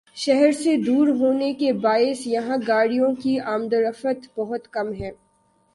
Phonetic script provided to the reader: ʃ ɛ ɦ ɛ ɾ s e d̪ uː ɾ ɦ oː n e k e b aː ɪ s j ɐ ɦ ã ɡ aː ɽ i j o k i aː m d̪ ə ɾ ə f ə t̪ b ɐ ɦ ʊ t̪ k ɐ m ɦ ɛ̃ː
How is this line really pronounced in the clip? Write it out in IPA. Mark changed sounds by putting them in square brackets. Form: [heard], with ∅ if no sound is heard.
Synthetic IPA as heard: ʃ ɛ ɦ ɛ ɾ s e d̪ uː ɾ ɦ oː n e k e b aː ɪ s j ɐ ɦ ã ɡ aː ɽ i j [õ] k i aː m d̪ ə ɾ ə f ə t̪ b ɐ ɦ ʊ t̪ k ɐ m ɦ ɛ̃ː

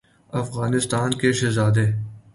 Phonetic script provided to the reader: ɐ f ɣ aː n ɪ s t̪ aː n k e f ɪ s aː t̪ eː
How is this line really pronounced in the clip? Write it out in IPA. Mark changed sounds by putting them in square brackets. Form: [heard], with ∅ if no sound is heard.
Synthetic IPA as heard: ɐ f ɣ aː n ɪ s t̪ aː n k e [ʃ] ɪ [z] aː [d̪] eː

